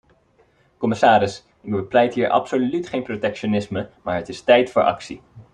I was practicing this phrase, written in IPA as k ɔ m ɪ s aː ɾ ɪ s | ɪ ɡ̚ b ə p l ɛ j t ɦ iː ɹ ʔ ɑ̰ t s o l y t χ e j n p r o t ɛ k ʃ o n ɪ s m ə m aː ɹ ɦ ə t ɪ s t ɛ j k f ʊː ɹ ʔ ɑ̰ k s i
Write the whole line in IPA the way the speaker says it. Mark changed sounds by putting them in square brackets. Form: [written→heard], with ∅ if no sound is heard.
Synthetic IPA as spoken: k ɔ m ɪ s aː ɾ ɪ s | ɪ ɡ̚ b ə p l ɛ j t ɦ iː ɹ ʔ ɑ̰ [t→p] s o l y t χ e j n p r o t ɛ k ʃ o n ɪ s m ə m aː ɹ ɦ ə t ɪ s t ɛ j [k→t] f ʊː ɹ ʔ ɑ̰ k s i